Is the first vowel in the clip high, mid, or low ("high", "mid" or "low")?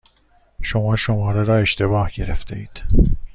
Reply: mid